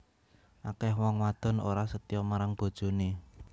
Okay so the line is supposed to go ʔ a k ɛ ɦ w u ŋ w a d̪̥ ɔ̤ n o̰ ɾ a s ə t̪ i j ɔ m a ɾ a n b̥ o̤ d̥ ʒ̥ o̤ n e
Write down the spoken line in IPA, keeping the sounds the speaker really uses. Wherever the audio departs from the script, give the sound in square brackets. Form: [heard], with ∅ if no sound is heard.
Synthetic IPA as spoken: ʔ a k ɛ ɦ w [ɔ] ŋ w a d̪̥ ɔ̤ n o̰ ɾ a s ə t̪ i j ɔ m a ɾ a [ŋ] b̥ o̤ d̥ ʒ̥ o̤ n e